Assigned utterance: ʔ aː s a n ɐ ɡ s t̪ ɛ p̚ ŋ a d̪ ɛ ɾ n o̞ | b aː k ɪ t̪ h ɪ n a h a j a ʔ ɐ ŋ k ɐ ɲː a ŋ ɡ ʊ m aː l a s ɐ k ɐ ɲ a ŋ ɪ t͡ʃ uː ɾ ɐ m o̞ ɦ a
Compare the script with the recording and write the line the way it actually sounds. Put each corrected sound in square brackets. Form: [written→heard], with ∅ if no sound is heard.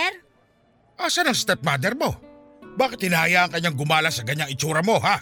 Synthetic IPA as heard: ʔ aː s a n ɐ [ɡ→ŋ] s t̪ ɛ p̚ [ŋ→m] a d̪ ɛ ɾ [n→m] o̞ | b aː k ɪ t̪ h ɪ n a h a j a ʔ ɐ ŋ k ɐ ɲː a ŋ ɡ ʊ m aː l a s ɐ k ɐ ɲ a ŋ ɪ t͡ʃ uː ɾ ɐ m o̞ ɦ a